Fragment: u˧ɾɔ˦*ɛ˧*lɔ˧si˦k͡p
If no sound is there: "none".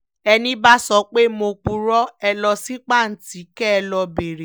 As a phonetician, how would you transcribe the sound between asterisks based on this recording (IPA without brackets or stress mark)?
ɛ˧